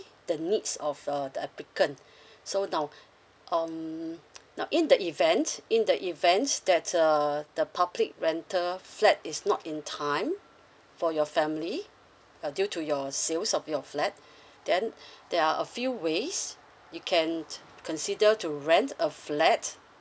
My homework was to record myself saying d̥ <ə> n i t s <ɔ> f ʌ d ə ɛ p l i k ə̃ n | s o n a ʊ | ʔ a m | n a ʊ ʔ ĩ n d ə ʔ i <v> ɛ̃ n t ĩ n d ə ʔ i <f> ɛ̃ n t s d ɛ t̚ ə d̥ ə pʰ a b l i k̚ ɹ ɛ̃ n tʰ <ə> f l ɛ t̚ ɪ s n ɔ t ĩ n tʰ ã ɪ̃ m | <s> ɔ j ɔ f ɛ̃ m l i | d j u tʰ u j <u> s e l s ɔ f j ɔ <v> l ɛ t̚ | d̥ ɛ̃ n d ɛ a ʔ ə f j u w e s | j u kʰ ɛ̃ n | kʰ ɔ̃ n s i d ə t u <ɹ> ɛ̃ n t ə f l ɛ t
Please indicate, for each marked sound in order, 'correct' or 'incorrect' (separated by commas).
correct, correct, correct, incorrect, correct, incorrect, incorrect, incorrect, correct